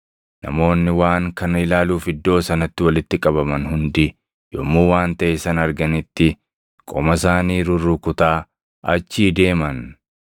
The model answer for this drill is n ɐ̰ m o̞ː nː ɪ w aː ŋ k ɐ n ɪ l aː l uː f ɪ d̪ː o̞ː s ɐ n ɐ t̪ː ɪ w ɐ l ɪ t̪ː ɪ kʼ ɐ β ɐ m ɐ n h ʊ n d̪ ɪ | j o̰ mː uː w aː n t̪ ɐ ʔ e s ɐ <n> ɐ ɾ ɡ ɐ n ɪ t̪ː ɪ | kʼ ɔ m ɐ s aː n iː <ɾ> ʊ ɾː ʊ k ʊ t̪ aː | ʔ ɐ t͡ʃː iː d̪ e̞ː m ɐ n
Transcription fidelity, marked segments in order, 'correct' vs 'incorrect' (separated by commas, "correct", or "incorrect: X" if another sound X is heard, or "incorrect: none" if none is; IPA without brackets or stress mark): correct, correct